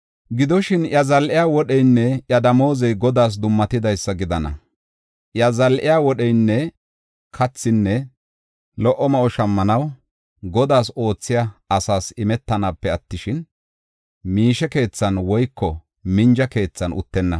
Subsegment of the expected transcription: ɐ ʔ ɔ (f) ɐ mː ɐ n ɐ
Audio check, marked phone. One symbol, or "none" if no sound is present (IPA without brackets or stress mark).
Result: ʃ